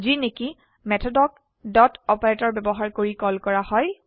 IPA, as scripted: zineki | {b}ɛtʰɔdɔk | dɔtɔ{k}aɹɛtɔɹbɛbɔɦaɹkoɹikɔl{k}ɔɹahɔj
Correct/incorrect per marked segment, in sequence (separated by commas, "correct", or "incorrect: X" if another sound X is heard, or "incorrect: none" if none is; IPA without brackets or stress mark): incorrect: m, incorrect: p, correct